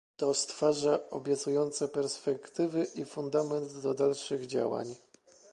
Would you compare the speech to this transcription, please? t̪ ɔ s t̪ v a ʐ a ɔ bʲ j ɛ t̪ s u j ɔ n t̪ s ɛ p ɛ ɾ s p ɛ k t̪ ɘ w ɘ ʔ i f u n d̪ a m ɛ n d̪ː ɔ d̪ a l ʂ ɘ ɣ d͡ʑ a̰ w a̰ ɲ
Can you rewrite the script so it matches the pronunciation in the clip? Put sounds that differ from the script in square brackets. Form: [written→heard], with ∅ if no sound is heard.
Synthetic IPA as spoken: t̪ ɔ s t̪ [v→f] a ʐ a ɔ bʲ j ɛ t̪ s u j ɔ n t̪ s ɛ p ɛ ɾ s p ɛ k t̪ ɘ [w→v] ɘ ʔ i f u n d̪ a m ɛ n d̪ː ɔ d̪ a l ʂ ɘ ɣ d͡ʑ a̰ w a̰ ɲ